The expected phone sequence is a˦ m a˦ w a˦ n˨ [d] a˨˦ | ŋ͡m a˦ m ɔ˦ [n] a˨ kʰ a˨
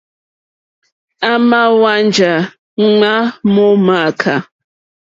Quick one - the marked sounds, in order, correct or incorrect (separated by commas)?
incorrect, incorrect